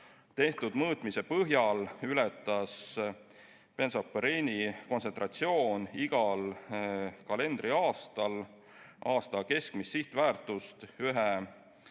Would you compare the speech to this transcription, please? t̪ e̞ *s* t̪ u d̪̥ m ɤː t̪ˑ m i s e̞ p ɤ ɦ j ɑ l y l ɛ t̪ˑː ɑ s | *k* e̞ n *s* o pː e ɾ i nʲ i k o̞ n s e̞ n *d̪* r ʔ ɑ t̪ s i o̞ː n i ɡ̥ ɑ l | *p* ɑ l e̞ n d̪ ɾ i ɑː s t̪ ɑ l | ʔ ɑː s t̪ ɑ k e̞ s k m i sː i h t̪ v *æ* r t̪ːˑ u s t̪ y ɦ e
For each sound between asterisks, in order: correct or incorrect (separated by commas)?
incorrect, incorrect, correct, incorrect, incorrect, incorrect